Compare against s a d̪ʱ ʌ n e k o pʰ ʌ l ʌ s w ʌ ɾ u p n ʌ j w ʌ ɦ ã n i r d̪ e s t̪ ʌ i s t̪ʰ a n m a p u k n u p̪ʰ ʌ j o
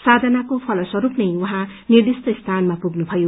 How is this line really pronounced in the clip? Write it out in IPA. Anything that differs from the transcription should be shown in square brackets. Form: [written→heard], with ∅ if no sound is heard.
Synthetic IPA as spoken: s a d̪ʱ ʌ n [e→a] k o pʰ ʌ l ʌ s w ʌ ɾ u p n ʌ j w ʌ ɦ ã n i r d̪ [e→i] s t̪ ʌ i s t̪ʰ a n m a p u [k→ɡ] n u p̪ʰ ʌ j o